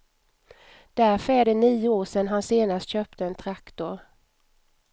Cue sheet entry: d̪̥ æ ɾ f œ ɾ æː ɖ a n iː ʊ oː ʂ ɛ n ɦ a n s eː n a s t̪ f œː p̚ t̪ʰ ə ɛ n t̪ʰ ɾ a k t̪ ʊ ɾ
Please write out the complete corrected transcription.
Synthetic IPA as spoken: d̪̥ æ ɾ f œ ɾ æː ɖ ɛ n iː ʊ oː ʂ ɛ n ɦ a n s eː n a s t̪ ɕ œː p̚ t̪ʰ ə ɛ n t̪ʰ ɾ a k t̪ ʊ ɾ